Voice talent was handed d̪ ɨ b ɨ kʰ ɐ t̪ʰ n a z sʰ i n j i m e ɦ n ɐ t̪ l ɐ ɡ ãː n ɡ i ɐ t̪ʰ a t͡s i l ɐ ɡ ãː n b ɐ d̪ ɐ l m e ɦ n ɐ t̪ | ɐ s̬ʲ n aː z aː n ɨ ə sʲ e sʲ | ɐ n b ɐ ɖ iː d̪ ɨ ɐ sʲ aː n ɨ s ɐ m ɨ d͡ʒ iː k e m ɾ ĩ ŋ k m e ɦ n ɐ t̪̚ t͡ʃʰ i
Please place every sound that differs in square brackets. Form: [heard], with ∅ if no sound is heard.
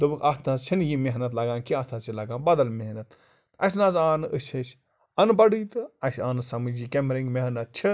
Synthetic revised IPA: d̪ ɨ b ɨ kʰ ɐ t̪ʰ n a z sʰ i n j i m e ɦ n ɐ t̪ l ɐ ɡ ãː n [k] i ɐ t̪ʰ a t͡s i l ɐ ɡ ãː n b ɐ d̪ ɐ l m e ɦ n ɐ t̪ | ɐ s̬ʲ n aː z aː n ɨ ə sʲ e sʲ | ɐ n b ɐ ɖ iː [t̪] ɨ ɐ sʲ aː n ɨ s ɐ m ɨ d͡ʒ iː k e m ɾ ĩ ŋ [ɡ] m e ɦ n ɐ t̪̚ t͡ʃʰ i